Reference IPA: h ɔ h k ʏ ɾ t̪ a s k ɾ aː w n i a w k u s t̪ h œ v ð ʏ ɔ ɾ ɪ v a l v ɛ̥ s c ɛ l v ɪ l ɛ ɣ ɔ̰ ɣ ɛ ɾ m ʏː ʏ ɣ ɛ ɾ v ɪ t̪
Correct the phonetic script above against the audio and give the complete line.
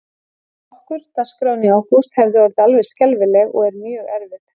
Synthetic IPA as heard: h ɔ h k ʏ ɾ t̪ a s k ɾ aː w n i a w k u s t̪ h ɛ v ð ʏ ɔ ɾ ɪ ð a l v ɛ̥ s c ɛ l v ɪ l ɛ ɣ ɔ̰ ɣ ɛ ɾ m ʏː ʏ ɣ ɛ ɾ v ɪ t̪